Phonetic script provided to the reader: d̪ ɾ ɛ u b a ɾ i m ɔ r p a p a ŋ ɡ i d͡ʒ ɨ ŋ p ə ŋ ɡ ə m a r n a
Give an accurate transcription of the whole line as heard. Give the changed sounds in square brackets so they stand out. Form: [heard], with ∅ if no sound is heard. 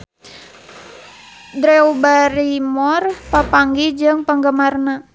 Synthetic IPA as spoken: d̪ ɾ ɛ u b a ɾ i m ɔ r p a p a ŋ ɡ i d͡ʒ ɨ ŋ p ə ŋ ɡ ə m a r n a